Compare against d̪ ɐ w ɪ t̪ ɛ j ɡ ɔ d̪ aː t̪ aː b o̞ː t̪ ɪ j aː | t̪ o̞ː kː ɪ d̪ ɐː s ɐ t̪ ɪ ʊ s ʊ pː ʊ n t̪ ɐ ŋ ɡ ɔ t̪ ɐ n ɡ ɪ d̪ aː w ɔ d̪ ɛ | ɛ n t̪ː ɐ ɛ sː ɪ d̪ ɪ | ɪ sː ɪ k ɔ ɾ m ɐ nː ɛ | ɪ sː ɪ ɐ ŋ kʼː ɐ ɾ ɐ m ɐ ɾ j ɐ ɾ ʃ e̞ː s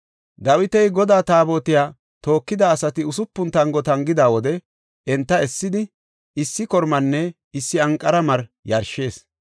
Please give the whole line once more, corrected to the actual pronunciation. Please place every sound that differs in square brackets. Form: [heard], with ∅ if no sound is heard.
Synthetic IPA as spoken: d̪ ɐ w ɪ t̪ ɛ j ɡ ɔ d̪ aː t̪ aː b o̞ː t̪ ɪ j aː | t̪ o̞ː kː ɪ d̪ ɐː s ɐ t̪ ɪ ʊ s ʊ pː ʊ n t̪ ɐ ŋ ɡ ɔ t̪ ɐ [ŋ] ɡ ɪ d̪ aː w ɔ d̪ ɛ | ɛ n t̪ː ɐ ɛ sː ɪ d̪ ɪ | ɪ sː ɪ k ɔ ɾ m ɐ nː ɛ | ɪ sː ɪ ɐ ŋ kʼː ɐ ɾ ɐ m ɐ ɾ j ɐ ɾ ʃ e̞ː s